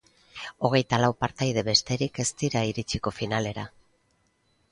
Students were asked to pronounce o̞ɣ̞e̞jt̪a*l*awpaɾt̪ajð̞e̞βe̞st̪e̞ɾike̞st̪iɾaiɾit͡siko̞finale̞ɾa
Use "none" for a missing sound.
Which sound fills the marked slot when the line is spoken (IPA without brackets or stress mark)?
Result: l